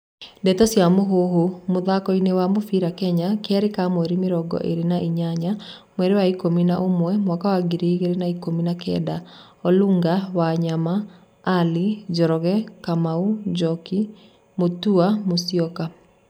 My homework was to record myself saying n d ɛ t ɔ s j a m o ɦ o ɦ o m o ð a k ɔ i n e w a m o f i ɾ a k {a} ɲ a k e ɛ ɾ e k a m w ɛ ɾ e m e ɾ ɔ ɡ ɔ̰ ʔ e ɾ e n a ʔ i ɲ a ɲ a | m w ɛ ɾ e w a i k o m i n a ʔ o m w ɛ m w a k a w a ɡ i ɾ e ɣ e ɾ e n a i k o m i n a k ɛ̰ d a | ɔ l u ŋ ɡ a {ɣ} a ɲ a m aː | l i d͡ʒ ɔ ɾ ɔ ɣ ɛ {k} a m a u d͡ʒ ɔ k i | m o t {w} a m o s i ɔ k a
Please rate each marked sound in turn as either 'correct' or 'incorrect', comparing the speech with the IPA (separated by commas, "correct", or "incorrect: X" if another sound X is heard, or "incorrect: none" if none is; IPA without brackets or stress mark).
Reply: incorrect: ɛ, incorrect: w, correct, incorrect: u